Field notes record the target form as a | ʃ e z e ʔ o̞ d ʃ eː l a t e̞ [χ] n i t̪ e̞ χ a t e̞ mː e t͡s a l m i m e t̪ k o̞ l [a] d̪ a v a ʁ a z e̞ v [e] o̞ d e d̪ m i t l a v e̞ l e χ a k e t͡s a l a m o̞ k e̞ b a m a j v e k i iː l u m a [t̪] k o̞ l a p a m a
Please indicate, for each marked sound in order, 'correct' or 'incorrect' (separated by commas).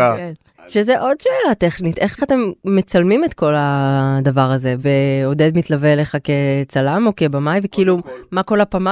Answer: correct, correct, correct, incorrect